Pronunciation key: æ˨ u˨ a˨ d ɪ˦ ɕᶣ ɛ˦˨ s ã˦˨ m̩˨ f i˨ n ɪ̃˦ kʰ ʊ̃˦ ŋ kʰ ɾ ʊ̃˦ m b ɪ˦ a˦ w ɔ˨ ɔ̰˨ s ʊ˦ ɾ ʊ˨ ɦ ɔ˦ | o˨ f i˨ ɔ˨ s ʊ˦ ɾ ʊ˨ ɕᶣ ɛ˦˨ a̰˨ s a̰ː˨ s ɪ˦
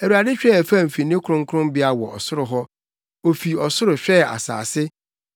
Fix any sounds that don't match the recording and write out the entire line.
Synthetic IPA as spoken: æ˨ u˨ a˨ d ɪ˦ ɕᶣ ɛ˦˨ f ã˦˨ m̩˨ f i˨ n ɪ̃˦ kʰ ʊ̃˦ ŋ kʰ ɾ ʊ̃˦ m b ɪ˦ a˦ w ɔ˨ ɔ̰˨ s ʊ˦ ɾ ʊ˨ ɦ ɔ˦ | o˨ f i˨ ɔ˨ s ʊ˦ ɾ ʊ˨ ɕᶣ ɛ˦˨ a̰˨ s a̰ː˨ s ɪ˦